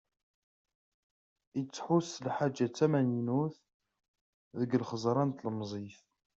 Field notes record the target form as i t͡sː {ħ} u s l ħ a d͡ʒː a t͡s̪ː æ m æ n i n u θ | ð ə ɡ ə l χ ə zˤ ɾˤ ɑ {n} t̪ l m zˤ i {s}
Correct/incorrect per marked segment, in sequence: correct, correct, incorrect: f

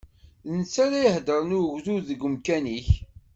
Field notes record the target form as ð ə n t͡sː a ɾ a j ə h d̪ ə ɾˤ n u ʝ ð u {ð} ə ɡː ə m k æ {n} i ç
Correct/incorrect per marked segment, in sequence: correct, correct

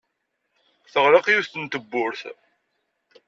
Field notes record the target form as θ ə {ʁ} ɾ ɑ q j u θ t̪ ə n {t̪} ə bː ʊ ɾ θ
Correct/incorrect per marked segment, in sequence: correct, correct

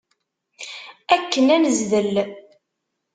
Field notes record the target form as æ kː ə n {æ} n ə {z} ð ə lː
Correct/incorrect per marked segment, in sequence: correct, correct

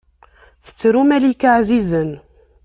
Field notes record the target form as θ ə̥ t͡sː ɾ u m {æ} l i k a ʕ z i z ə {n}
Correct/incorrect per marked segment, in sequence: correct, correct

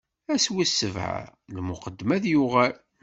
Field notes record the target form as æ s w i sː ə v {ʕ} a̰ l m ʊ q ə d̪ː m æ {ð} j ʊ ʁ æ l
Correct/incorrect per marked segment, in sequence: correct, correct

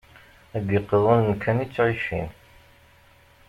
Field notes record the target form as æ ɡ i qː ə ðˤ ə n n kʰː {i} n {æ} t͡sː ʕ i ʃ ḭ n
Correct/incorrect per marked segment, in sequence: incorrect: æ, incorrect: i

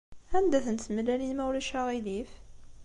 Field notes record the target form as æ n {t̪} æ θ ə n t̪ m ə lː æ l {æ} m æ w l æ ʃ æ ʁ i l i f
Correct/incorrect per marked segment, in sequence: incorrect: d̪, incorrect: i

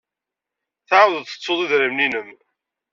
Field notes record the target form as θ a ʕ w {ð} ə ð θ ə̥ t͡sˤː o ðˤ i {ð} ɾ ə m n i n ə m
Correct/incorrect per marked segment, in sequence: correct, correct

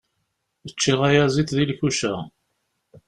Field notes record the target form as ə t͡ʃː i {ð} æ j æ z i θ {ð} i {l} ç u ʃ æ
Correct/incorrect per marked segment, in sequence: incorrect: ʁ, correct, correct

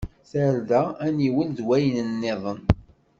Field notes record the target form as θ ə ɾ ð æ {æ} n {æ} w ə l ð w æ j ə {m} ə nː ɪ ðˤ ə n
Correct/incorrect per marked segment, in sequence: correct, incorrect: i, incorrect: n

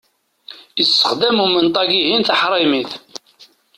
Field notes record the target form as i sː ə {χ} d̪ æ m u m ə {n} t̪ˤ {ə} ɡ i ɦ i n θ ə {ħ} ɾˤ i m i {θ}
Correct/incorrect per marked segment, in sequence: correct, correct, incorrect: ɑ, correct, correct

